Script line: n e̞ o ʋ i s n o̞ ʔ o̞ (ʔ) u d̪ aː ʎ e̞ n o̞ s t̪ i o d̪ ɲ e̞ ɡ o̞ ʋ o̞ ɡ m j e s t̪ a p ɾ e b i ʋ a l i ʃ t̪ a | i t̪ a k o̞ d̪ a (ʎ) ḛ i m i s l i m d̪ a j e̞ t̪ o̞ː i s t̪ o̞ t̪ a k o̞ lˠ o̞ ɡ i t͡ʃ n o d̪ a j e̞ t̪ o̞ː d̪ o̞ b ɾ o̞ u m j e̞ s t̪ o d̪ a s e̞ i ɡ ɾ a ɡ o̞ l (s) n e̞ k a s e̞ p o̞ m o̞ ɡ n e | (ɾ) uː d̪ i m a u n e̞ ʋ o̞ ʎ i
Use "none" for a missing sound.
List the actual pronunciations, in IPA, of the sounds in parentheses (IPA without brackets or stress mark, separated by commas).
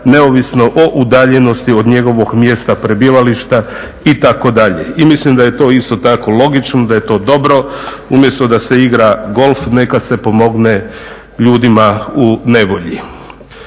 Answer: ʔ, ʎ, f, ʎ